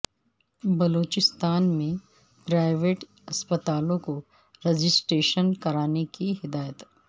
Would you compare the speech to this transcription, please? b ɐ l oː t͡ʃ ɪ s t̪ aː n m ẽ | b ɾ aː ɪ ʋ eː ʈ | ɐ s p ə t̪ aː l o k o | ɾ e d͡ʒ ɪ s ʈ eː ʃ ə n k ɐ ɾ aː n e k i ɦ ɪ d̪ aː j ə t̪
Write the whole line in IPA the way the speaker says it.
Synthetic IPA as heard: b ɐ l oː t͡ʃ ɪ s t̪ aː n m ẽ | p ɾ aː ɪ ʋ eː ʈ | ɐ s p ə t̪ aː l õ k o | ɾ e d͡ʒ ɪ s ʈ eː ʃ ə n k ɐ ɾ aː n e k i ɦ ɪ d̪ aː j ə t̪